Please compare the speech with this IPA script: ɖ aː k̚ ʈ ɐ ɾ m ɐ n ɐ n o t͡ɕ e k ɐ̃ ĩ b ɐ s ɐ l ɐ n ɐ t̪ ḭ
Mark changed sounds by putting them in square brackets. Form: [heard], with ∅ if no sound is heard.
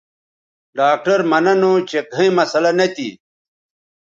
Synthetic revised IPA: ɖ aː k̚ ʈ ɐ ɾ m ɐ n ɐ n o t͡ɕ e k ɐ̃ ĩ [m] ɐ s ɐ l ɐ n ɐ t̪ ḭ